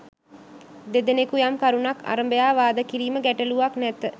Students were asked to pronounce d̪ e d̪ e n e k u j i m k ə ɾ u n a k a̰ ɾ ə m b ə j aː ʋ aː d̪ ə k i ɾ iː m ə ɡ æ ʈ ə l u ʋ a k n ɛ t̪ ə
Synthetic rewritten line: d̪ e d̪ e n e k u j a m k a ɾ u n a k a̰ ɾ ə m b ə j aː ʋ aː d̪ ə k i ɾ iː m ə ɡ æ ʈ ə l u ʋ a k n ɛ t̪ ə